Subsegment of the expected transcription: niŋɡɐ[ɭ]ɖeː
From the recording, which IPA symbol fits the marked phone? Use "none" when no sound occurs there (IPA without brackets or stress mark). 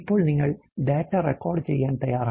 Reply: ɭ